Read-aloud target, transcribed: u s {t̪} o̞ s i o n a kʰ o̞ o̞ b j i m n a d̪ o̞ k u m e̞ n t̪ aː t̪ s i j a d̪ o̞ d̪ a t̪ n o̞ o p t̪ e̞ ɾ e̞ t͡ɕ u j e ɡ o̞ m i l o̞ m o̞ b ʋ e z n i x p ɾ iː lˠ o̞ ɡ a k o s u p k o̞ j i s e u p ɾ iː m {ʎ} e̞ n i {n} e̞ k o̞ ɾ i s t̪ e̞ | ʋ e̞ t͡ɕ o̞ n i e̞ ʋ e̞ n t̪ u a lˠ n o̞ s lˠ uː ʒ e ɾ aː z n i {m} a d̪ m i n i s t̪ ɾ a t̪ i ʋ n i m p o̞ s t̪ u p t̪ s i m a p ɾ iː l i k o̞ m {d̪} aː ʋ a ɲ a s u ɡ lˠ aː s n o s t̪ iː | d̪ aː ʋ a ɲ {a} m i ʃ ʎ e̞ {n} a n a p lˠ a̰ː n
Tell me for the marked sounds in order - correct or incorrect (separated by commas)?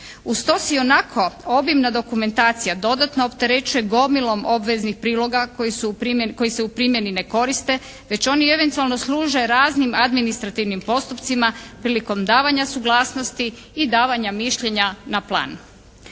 correct, incorrect, correct, correct, correct, correct, incorrect